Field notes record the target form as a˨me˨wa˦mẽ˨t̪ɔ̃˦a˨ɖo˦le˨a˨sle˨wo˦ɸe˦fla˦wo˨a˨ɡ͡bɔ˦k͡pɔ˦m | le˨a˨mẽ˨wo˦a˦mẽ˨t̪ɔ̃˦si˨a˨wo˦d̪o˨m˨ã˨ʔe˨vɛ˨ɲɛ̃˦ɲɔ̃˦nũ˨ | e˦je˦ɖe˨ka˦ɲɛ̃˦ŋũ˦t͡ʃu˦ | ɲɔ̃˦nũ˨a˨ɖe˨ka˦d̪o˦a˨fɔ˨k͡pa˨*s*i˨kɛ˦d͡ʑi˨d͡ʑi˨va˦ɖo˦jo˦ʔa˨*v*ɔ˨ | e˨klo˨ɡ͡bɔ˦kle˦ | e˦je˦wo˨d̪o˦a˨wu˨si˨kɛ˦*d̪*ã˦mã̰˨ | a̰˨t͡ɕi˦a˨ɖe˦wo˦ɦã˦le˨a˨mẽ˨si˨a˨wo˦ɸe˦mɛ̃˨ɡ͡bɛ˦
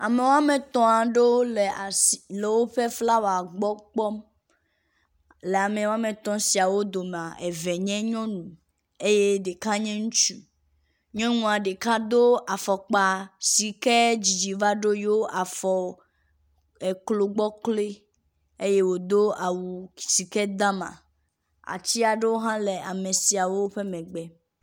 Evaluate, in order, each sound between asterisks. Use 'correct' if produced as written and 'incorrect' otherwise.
correct, incorrect: f, correct

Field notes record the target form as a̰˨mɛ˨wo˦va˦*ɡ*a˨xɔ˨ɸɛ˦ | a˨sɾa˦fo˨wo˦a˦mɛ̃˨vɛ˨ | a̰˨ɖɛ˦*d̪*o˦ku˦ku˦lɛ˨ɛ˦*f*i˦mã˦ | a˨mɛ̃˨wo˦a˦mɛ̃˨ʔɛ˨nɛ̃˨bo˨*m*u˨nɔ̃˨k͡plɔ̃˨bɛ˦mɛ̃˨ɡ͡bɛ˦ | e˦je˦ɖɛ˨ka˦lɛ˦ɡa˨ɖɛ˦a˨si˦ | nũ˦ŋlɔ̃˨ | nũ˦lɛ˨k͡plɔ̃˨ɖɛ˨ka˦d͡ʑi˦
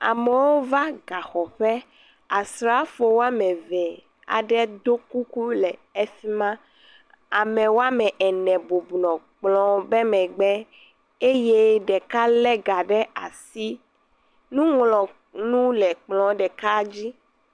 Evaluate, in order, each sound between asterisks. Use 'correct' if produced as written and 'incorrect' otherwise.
correct, correct, correct, incorrect: b

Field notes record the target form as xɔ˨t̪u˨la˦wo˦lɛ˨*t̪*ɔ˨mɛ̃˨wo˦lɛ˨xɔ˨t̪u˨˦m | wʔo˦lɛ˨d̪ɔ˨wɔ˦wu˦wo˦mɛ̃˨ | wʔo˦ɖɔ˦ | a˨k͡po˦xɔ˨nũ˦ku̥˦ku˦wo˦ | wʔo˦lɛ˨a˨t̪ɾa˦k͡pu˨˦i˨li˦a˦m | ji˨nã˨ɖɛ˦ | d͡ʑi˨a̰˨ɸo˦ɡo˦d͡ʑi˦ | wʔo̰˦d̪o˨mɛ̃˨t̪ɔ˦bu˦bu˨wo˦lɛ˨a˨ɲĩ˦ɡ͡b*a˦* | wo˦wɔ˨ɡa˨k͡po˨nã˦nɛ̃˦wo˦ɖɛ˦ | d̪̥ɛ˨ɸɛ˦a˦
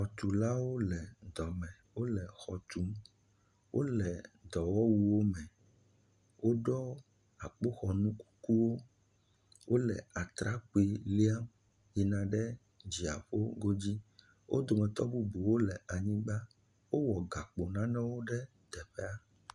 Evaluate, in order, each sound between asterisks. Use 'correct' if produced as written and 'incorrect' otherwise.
incorrect: d̪, correct

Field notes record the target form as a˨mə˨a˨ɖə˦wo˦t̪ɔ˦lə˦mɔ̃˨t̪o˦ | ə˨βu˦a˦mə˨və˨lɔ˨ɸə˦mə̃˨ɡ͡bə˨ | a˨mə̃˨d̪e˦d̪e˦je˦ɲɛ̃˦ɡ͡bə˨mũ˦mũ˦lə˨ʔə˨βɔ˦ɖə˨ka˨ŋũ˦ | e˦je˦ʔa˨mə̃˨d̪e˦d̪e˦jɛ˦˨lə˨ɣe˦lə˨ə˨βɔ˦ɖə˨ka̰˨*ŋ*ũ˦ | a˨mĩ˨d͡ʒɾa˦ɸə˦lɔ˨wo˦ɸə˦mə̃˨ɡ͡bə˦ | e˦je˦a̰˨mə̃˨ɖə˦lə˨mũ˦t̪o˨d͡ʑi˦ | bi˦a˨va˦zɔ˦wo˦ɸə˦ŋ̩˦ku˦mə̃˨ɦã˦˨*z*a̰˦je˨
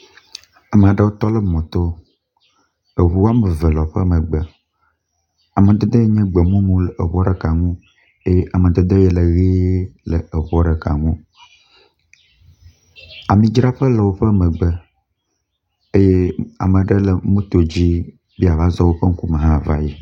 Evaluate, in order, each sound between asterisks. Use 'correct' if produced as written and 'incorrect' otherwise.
correct, incorrect: v

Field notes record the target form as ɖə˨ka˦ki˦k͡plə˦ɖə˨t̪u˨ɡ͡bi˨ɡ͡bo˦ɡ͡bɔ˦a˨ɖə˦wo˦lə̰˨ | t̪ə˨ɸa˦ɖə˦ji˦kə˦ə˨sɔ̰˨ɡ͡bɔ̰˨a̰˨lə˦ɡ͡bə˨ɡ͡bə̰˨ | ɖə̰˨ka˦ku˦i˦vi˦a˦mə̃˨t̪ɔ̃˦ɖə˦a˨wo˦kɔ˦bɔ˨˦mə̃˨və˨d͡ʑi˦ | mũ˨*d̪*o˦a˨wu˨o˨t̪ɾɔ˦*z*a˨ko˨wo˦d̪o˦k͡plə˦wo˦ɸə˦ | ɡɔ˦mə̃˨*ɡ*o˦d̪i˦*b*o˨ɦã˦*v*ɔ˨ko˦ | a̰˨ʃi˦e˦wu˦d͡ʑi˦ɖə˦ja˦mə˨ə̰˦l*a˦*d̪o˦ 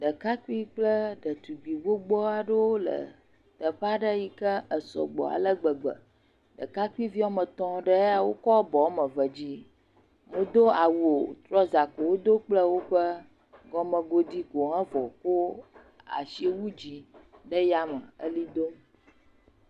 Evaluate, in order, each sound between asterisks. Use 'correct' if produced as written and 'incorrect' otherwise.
correct, correct, correct, incorrect: ɡ, correct, incorrect: i˦

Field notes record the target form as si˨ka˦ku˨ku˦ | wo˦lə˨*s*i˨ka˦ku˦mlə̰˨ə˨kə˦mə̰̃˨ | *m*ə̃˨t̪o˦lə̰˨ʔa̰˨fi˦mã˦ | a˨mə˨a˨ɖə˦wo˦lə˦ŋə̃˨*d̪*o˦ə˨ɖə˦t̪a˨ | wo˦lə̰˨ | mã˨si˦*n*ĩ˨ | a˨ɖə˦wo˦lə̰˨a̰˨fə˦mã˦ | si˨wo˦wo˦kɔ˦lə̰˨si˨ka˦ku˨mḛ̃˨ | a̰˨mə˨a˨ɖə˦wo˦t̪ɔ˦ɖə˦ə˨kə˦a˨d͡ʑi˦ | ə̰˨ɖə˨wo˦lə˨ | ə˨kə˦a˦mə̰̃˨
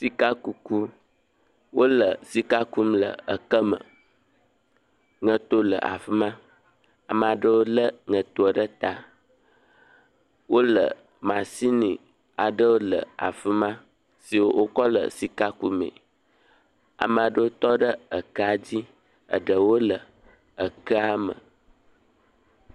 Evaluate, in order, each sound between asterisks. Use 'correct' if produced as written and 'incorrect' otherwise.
correct, incorrect: ŋ, incorrect: t̪, correct

